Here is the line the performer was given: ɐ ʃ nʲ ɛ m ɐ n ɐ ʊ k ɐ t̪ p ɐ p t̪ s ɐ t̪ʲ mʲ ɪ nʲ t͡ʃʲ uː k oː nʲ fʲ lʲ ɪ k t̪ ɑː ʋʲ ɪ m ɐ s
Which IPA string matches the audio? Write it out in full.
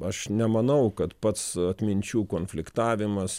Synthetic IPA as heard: ɐ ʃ nʲ ɛ m ɐ n ɐ ʊ k ɐ t̪ p ɐ t̪ s ɐ t̪ʲ mʲ ɪ nʲ t͡ʃʲ uː k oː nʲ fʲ lʲ ɪ k t̪ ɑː ʋʲ ɪ m ɐ s